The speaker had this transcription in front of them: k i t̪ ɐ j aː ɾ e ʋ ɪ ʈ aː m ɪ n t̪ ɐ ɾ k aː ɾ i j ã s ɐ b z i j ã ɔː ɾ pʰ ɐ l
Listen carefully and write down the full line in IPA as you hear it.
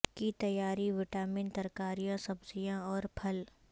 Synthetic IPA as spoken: k i t̪ ɐ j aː ɾ i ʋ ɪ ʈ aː m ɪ n t̪ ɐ ɾ k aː ɾ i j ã s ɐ b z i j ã ɔː ɾ pʰ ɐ l